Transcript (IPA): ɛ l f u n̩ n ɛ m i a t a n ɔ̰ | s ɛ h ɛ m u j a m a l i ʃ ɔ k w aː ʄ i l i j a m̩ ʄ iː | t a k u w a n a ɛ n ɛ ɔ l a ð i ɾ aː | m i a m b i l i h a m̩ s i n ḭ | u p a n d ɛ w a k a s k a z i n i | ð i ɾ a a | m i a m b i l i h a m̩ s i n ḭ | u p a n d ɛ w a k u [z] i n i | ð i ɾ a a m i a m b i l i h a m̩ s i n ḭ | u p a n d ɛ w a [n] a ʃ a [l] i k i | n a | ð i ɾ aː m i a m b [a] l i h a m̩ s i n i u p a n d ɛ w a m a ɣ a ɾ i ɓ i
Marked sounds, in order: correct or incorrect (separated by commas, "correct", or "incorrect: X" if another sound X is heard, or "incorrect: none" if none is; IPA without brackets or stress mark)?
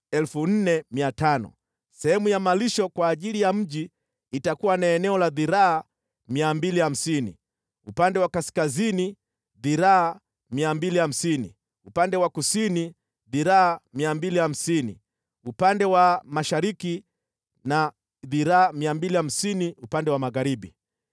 incorrect: s, incorrect: m, incorrect: ɾ, incorrect: i